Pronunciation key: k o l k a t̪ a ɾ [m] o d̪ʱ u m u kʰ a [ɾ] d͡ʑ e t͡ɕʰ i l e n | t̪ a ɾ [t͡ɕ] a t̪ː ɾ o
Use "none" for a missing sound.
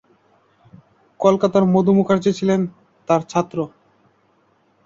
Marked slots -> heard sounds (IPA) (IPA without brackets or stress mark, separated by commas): m, ɾ, t͡ɕʰ